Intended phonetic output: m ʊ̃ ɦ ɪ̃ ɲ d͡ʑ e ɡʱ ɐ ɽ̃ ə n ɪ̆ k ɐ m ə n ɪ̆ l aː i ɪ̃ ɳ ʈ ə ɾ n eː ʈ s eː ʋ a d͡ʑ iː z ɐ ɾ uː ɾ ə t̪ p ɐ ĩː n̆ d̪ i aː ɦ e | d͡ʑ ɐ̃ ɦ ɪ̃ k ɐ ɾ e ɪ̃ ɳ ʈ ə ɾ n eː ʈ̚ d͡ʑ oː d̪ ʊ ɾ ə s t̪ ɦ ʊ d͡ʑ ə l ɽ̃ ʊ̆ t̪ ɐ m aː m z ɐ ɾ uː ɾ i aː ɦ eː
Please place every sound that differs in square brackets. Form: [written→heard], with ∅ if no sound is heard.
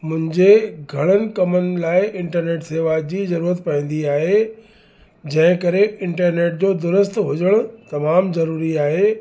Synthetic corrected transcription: m ʊ̃ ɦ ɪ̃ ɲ d͡ʑ e ɡʱ ɐ ɽ̃ ə n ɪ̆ k ɐ m ə n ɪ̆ l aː [i→ɪ] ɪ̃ ɳ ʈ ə ɾ n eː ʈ s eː ʋ a d͡ʑ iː z ɐ ɾ uː ɾ ə t̪ p ɐ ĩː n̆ d̪ i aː ɦ e | d͡ʑ ɐ̃ ɦ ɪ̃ k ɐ ɾ e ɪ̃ ɳ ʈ ə ɾ n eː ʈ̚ d͡ʑ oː d̪ ʊ ɾ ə s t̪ ɦ ʊ d͡ʑ ə [l→∅] ɽ̃ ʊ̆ t̪ ɐ m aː m z ɐ ɾ uː ɾ i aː ɦ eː